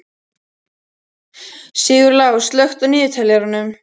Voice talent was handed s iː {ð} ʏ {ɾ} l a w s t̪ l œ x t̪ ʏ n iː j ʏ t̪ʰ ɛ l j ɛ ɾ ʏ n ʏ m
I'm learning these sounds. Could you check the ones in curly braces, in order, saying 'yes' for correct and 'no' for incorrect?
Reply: no, yes

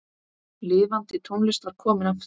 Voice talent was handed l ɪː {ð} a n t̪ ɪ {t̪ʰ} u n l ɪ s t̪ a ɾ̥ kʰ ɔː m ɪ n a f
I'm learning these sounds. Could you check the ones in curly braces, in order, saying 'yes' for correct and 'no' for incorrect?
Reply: no, yes

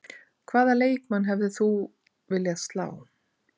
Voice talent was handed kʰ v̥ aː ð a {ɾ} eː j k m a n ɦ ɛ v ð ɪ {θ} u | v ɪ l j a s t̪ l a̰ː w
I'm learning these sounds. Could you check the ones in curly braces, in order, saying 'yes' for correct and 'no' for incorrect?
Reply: no, yes

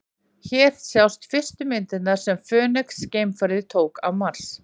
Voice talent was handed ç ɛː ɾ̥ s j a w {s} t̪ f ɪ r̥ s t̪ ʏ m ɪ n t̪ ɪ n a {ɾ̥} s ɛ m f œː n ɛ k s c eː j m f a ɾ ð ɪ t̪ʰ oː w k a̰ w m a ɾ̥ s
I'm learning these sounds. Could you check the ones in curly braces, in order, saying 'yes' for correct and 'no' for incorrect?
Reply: yes, yes

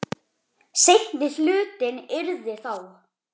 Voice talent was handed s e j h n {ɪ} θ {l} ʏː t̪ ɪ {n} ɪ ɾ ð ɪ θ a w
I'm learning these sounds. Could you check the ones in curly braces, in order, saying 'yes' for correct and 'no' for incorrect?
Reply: yes, yes, yes

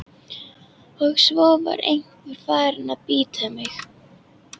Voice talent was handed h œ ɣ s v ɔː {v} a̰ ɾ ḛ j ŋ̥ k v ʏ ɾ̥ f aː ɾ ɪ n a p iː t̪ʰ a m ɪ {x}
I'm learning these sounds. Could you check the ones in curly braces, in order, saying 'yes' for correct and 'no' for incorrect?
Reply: yes, yes

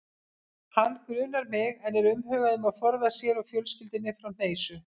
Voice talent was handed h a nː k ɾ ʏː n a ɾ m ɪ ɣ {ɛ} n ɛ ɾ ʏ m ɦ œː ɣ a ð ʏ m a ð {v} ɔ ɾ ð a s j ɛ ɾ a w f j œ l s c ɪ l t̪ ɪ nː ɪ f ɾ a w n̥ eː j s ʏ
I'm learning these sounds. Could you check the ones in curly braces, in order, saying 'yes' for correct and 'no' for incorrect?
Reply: yes, no

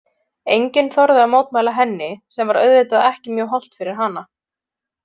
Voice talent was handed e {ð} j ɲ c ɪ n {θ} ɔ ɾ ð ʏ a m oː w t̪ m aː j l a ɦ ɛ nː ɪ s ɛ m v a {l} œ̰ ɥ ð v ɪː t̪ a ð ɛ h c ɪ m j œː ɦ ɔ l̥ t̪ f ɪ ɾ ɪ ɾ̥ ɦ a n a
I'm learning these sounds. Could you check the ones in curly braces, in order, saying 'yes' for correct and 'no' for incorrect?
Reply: no, yes, no

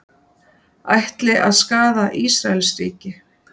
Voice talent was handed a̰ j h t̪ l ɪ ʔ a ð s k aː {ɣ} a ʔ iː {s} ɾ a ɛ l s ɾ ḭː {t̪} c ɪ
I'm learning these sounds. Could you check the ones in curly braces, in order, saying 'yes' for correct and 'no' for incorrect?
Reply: no, yes, no

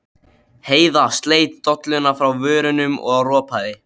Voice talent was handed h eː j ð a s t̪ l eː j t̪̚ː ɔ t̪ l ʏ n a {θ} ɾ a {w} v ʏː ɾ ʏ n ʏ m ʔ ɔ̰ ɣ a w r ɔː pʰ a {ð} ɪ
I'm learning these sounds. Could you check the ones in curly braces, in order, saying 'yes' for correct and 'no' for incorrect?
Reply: no, yes, yes

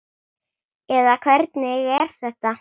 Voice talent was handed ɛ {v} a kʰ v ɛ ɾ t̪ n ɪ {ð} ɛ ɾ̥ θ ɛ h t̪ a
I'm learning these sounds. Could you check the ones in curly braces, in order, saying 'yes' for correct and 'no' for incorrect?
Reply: no, no

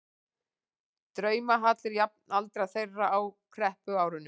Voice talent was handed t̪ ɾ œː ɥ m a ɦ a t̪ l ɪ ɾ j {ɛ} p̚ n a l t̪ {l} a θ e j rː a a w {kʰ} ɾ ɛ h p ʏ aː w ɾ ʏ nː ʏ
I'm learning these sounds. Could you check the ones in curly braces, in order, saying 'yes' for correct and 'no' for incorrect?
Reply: no, no, yes

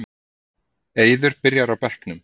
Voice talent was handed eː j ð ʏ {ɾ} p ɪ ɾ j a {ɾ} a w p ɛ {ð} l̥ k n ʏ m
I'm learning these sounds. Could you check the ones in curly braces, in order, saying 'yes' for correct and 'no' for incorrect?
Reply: yes, yes, no

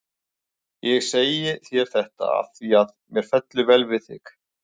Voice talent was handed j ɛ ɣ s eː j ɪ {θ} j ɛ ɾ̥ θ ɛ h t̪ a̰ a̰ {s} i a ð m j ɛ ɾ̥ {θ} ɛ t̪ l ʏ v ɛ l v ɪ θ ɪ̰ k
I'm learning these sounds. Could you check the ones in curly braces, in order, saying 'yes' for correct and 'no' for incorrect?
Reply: yes, no, no

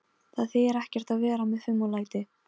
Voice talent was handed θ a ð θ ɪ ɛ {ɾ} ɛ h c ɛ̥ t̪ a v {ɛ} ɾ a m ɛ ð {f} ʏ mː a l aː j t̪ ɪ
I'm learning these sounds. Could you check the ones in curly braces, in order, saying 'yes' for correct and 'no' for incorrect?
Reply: yes, no, yes

